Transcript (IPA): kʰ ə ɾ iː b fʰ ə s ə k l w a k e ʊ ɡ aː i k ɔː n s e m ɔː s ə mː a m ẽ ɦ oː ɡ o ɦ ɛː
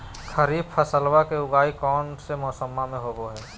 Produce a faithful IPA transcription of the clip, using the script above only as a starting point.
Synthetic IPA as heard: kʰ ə ɾ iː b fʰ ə s ə l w a k e ʊ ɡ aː i k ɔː n s e m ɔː s ə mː a m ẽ ɦ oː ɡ o ɦ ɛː

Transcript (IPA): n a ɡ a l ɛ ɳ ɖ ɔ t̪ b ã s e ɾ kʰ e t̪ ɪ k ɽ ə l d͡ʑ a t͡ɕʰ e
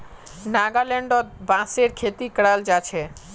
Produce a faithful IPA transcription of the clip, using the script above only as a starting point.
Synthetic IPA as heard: n a ɡ a l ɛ ɳ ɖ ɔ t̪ b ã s e ɾ kʰ e t̪ i k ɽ a l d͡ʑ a t͡ɕʰ e

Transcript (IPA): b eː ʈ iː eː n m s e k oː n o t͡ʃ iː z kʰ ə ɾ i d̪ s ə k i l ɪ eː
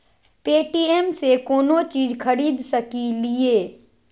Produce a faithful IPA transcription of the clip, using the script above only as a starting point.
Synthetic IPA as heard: p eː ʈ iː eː m s e k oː n o t͡ʃ iː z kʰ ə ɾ iː d̪ s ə k i l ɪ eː

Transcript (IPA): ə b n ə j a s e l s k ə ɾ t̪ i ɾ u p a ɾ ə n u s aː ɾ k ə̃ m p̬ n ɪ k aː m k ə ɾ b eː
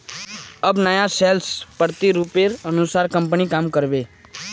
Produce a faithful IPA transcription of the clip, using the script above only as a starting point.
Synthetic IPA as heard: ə b n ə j a s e l s p ə ɾ t̪ i ɾ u p e ɾ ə n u s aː ɾ k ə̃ m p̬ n i k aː m k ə ɾ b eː

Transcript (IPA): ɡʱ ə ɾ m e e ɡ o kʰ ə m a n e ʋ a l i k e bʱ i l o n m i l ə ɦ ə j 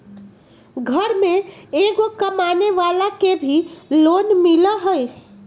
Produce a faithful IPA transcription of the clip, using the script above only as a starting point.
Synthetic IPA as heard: ɡʱ ə ɾ m e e ɡ o k ə m a n e ʋ a l a k e bʱ i l o n m i l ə ɦ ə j

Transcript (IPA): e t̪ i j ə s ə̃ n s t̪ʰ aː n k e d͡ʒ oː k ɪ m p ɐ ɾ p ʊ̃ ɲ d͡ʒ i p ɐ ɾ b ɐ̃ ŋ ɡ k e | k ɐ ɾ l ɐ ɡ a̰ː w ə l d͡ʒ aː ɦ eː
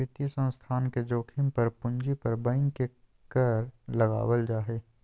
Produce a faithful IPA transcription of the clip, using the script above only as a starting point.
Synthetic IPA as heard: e t̪ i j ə s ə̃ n s t̪ʰ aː n k e d͡ʒ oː kʰ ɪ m p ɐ ɾ p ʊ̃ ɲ d͡ʒ i p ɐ ɾ b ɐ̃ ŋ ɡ k e | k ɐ ɾ l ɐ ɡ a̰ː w ə l d͡ʒ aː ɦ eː

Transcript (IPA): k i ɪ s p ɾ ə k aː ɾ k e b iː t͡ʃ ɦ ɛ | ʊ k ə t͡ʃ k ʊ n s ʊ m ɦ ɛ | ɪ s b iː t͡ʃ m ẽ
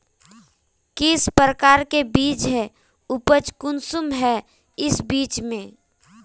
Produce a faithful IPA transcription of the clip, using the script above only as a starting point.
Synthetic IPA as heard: k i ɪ s p ɾ ə k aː ɾ k e b iː t͡ʃ ɦ ɛ | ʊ p ə t͡ʃ k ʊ n s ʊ m ɦ ɛ | ɪ s b iː t͡ʃ m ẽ

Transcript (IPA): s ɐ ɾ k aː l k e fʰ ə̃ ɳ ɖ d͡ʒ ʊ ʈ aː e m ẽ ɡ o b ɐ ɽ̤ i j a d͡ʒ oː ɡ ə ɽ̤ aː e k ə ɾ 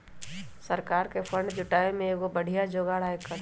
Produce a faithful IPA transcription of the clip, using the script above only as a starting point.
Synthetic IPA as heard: s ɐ ɾ k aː ɾ k e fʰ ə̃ ɳ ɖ d͡ʒ ʊ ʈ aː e m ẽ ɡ o b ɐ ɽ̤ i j a d͡ʒ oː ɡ a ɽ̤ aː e k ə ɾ

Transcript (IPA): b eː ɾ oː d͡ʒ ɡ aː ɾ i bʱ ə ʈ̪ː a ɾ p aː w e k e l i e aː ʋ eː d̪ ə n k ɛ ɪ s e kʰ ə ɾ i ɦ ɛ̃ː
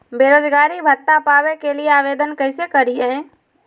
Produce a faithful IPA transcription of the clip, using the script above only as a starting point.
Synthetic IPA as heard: b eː ɾ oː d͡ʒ ɡ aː ɾ i bʱ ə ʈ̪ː a p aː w e k e l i e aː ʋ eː d̪ ə n k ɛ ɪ s e k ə ɾ i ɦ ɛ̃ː

